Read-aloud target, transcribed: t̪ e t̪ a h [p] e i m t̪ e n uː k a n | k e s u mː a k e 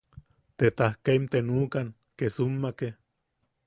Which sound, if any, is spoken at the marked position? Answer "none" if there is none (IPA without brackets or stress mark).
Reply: k